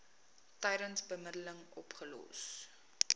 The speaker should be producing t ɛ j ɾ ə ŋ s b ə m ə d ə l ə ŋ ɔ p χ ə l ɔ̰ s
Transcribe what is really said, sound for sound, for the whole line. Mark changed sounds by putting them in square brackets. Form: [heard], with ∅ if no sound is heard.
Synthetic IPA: t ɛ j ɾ ə [n] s b ə m ə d ə l ə ŋ ɔ p χ ə l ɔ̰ s